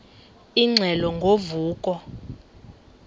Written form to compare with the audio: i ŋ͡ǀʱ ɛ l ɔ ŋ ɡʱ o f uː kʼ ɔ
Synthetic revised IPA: i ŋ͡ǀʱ ɛ l ɔ ŋ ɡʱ o v uː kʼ ɔ